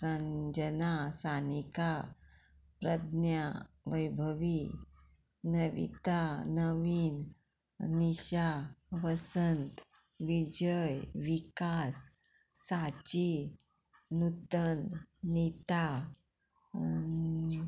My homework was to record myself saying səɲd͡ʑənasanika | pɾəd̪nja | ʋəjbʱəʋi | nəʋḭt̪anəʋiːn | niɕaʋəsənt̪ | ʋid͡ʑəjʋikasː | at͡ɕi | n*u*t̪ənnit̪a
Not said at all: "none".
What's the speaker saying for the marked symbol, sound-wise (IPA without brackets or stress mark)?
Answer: u